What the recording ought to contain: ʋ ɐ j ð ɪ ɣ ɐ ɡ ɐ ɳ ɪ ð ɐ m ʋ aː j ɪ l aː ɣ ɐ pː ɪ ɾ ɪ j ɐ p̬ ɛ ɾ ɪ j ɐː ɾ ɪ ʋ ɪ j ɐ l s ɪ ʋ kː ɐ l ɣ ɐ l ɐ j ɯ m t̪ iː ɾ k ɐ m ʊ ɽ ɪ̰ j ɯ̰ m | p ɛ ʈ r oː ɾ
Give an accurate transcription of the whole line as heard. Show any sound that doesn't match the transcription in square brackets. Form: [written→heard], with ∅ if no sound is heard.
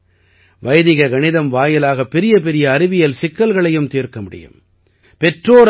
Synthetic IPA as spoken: ʋ ɐ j ð ɪ ɣ ɐ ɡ ɐ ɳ ɪ ð ɐ m ʋ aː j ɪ l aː ɣ ɐ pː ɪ ɾ ɪ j ɐ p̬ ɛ ɾ ɪ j ɐː ɾ ɪ ʋ ɪ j ɐ l s ɪ [ʋ→∅] kː ɐ l ɣ ɐ [l→ɭ] ɐ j ɯ m t̪ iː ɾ k ɐ m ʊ ɽ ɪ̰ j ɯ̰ m | p ɛ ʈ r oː ɾ